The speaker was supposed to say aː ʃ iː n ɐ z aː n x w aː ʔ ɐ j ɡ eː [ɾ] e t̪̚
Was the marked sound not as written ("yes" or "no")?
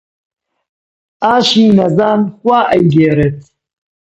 no